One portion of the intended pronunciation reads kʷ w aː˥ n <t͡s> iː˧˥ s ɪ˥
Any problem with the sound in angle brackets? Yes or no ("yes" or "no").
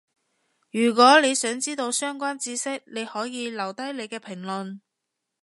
no